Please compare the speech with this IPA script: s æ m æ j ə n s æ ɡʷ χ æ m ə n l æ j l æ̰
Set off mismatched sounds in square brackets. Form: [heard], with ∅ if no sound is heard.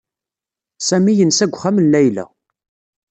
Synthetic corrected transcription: s æ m [i] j ə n s æ ɡʷ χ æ m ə n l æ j l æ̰

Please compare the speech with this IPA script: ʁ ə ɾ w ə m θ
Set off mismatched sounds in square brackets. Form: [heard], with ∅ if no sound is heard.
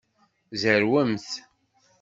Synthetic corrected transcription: [z] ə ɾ w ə m θ

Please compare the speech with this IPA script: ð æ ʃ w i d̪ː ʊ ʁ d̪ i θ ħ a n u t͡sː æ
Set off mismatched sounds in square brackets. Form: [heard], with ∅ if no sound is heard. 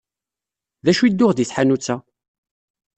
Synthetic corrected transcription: ð æ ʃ [u] i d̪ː ʊ ʁ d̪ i θ ħ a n u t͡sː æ

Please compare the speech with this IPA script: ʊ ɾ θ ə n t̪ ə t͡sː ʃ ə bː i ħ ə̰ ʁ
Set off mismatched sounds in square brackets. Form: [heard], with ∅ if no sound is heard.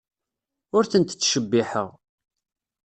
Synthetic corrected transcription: ʊ ɾ θ ə n t̪ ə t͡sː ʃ ə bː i ħ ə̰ ʁ

